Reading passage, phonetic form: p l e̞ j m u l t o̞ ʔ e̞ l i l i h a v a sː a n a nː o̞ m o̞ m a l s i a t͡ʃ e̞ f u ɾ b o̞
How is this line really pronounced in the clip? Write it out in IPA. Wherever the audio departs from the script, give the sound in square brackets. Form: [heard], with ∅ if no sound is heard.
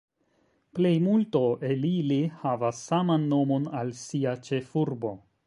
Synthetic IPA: p l e̞ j m u l t o̞ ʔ e̞ l i l i h a v a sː a [m] a nː o̞ m o̞ [n] a l s i a t͡ʃ e̞ f u ɾ b o̞